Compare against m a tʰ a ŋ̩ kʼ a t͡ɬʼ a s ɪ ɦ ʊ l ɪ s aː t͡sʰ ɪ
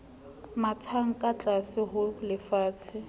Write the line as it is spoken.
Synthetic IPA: m a tʰ a ŋ̩ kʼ a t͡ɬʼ a s ɪ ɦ ʊ l ɪ f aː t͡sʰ ɪ